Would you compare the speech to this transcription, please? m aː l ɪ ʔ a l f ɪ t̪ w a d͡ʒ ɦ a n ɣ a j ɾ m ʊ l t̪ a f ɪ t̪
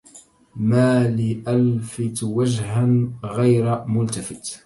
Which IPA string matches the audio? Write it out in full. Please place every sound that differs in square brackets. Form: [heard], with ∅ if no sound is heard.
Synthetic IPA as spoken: m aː l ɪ ʔ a l f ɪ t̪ w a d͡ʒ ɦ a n ɣ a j ɾ m ʊ l t̪ a f ɪ t̪